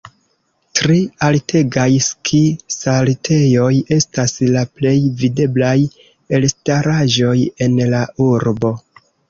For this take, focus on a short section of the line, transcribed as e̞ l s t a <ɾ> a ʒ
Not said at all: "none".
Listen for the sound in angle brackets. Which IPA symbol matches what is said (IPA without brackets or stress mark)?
ɾ